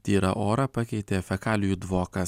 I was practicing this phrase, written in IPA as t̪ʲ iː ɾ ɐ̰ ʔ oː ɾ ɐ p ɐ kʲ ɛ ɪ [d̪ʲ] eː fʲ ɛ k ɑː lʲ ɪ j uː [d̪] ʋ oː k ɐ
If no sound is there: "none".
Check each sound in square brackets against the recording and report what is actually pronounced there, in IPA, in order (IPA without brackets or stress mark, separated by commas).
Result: t̪ʲ, d̪